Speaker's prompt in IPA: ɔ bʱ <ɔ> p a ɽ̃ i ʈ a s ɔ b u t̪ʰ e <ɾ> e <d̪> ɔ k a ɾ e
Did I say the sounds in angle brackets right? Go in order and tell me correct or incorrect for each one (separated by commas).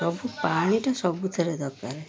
incorrect, correct, correct